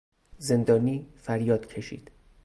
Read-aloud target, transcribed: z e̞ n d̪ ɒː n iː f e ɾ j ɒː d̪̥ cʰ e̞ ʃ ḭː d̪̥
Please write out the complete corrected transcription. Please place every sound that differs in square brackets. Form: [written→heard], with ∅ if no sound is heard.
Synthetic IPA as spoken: z e̞ n d̪ ɒː n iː f [e→æ] ɾ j ɒː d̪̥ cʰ e̞ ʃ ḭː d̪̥